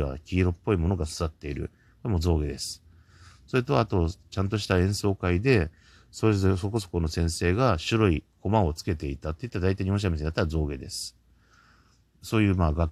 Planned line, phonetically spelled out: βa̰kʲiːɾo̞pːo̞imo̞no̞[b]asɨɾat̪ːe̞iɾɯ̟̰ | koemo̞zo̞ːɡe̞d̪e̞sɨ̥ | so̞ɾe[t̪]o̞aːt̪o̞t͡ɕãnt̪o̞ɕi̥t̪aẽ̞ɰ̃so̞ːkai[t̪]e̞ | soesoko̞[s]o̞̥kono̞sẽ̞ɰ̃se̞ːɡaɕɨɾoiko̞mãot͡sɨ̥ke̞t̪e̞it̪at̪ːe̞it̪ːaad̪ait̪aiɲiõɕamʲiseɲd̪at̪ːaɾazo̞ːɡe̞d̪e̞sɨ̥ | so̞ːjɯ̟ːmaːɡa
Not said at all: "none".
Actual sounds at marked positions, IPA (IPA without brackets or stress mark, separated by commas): ɡ, t̪, d̪, s